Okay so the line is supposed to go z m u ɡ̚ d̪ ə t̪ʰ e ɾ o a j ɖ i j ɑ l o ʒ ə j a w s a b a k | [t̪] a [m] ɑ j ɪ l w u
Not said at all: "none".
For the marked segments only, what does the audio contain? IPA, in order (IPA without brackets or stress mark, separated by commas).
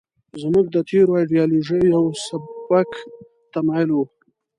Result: t̪, m